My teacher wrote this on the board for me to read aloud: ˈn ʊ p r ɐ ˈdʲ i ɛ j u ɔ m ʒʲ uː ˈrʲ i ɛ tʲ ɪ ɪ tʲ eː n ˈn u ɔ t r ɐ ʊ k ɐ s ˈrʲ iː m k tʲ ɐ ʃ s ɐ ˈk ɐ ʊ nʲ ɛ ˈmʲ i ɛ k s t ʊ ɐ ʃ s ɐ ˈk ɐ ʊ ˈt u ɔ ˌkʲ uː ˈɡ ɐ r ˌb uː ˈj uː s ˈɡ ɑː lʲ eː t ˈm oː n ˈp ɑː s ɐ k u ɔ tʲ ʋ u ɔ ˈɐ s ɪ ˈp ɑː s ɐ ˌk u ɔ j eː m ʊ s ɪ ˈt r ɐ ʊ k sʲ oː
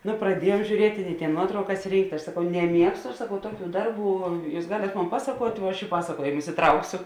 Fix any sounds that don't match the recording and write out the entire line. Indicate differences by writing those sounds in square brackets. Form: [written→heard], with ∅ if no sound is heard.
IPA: ˈn ʊ p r ɐ ˈdʲ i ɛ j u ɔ m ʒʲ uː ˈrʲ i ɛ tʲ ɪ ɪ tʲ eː n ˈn u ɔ t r ɐ ʊ k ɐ s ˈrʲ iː [m→ŋ] k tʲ ɐ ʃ s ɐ ˈk ɐ ʊ nʲ ɛ ˈmʲ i ɛ k s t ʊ ɐ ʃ s ɐ ˈk ɐ ʊ ˈt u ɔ ˌkʲ uː [ˈɡ→ˈd] ɐ r ˌb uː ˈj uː s ˈɡ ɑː lʲ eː t ˈm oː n ˈp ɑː s ɐ k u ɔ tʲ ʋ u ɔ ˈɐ [s→ʃ] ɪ ˈp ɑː s ɐ ˌk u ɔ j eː m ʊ s ɪ ˈt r ɐ ʊ k sʲ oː